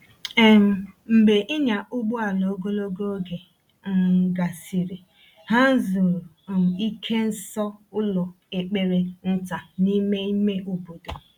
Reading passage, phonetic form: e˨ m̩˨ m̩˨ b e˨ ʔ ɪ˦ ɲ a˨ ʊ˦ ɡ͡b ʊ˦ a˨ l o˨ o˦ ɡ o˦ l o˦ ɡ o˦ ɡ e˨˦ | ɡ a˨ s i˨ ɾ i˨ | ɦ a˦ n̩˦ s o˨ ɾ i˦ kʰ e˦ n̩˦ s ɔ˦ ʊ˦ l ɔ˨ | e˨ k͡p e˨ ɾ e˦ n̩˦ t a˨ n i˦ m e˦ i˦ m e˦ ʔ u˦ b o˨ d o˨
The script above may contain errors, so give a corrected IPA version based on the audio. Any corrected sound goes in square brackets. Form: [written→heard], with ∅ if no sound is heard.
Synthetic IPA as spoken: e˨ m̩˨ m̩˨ b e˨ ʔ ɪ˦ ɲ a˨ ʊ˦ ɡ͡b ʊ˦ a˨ l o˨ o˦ ɡ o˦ l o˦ ɡ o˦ ɡ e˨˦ | ɡ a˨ s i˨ ɾ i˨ | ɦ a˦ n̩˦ [s→z] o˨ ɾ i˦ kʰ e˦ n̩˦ s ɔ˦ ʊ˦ l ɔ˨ | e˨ k͡p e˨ ɾ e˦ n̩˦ t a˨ n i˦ m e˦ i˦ m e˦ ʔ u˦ b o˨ d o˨